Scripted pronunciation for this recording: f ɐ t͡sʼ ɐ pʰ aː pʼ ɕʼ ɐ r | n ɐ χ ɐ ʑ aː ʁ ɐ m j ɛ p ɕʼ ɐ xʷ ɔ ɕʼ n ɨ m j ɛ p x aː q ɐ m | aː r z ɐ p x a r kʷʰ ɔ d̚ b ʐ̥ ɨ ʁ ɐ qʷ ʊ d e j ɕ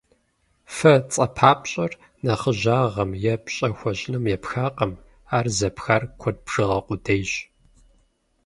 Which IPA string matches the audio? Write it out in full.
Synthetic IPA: f ɐ t͡sʼ ɐ pʰ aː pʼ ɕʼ ɐ r | n ɐ χ ə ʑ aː ʁ ɐ m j ɛ p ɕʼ ɐ xʷ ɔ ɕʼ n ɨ m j ɛ p x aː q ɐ m | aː r z ɐ p x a r kʷʰ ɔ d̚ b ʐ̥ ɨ ʁ ɐ qʷ ʊ d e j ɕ